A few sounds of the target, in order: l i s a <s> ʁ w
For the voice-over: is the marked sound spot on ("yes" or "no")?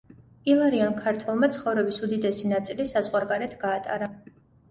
no